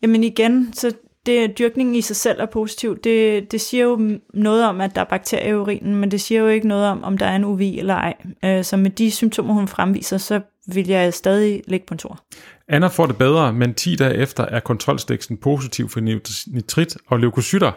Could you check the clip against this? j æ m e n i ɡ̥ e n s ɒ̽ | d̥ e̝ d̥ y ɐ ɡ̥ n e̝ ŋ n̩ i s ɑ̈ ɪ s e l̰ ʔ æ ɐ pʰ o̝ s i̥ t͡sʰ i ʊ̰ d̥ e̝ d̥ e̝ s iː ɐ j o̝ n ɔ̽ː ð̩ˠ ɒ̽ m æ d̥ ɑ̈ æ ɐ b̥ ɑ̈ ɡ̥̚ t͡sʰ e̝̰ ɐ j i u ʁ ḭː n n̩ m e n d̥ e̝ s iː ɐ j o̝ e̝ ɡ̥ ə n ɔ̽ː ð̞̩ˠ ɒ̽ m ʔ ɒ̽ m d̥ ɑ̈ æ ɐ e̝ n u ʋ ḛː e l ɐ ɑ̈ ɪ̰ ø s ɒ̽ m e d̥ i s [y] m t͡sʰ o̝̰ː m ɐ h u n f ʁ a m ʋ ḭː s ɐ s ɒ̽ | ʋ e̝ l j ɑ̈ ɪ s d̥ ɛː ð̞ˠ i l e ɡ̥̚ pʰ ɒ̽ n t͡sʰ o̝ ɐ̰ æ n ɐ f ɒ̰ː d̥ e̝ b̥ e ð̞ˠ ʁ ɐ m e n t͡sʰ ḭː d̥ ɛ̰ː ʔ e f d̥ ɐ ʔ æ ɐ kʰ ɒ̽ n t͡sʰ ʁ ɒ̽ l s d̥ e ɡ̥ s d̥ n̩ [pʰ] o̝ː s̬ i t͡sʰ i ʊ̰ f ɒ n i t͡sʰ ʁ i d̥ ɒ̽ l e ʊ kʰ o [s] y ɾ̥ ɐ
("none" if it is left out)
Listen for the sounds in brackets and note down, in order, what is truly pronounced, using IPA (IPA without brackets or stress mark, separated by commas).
y, pʰ, s